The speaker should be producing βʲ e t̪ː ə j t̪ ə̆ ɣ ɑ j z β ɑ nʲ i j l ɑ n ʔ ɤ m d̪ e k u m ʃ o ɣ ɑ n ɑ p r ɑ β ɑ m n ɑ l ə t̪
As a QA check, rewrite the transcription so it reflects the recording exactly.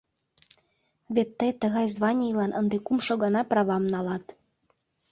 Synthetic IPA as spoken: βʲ e t̪ː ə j t̪ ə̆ ɣ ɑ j z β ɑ nʲ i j l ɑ n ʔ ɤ n d̪ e k u m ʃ o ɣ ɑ n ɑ p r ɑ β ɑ m n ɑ l ɑ t̪